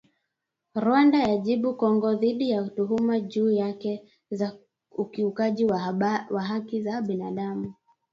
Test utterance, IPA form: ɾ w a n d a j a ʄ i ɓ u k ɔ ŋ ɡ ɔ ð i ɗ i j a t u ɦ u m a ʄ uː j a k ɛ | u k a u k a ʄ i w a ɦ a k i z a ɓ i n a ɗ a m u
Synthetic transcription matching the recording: ɾ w a n d a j a ʄ i ɓ u k ɔ ŋ ɡ ɔ ð i ɗ i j a t u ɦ u m a ʄ uː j a k ɛ | u k i u k a ʄ i w a ɦ a k i z a ɓ i n a ɗ a m u